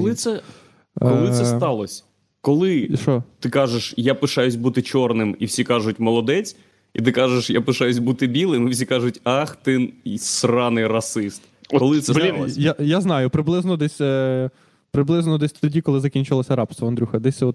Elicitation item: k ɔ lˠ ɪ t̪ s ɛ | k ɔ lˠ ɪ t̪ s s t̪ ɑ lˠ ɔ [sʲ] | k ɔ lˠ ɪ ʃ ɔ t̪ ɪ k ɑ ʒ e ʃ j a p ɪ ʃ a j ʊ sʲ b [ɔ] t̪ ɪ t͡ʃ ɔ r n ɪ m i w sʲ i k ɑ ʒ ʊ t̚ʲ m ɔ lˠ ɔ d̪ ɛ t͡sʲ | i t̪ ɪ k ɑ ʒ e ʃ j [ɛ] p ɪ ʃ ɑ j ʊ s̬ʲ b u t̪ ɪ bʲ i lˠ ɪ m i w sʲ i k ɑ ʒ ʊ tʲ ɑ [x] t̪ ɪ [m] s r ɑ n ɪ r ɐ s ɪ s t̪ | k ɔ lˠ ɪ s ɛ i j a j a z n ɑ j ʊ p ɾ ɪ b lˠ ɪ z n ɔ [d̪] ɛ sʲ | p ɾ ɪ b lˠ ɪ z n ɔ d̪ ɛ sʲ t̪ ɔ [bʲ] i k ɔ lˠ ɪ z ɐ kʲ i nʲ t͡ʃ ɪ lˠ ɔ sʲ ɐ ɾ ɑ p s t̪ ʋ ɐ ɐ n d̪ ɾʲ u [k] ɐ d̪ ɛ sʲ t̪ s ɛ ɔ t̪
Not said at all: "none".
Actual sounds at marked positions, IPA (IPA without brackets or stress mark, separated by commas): sʲ, u, a, x, n, d̪, dʲ, x